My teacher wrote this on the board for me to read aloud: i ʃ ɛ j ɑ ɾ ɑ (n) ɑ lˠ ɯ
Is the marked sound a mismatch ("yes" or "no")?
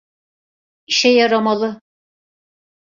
yes